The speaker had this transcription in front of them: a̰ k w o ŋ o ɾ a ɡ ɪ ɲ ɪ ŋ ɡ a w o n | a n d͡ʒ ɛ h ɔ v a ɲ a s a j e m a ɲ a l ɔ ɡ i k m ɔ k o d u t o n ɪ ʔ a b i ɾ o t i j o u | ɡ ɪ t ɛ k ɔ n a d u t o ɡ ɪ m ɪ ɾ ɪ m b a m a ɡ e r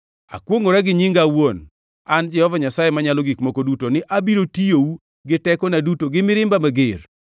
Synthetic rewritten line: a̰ k w o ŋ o ɾ a ɡ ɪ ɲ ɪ ŋ ɡ a w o n | a n d͡ʒ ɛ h ɔ v a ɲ a s a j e m a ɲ a l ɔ ɡ i k m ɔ k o d u t o n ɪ ʔ a b i ɾ o t i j o u | ɡ ɪ t ɛ k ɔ n a d u t o ɡ ɪ m ɪ ɾ ɪ m b a m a ɡ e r